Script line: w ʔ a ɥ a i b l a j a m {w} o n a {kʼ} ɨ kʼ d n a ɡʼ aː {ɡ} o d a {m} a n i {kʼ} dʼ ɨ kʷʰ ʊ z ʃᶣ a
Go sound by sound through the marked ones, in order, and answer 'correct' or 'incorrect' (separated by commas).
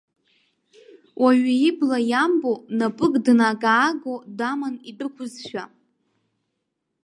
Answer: incorrect, incorrect, correct, correct, incorrect